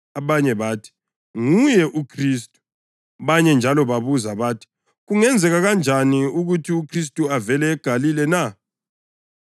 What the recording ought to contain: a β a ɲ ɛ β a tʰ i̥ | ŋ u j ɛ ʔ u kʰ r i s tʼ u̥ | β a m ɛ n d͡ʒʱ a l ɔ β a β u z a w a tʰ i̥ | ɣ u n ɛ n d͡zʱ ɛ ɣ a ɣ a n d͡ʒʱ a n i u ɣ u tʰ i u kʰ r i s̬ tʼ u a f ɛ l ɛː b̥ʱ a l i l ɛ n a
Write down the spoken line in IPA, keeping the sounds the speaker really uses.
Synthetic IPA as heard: a β a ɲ ɛ β a tʰ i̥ | ŋ u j ɛ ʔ u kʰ r i s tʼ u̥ | β a ɲ ɛ n d͡ʒʱ a l ɔ β a β u z a β a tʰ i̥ | ɣ u ŋ ɛ n d͡zʱ ɛ ɣ a ɣ a n d͡ʒʱ a n i u ɣ u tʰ i u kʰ r i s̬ tʼ u a v ɛ l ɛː ɡ̥ʱ a l i l ɛ n a